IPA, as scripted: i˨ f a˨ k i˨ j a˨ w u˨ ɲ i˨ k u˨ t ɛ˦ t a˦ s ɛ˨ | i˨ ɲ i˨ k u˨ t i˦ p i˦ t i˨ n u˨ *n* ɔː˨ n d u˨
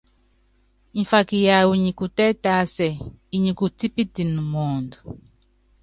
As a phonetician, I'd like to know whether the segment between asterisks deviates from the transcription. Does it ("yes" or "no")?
yes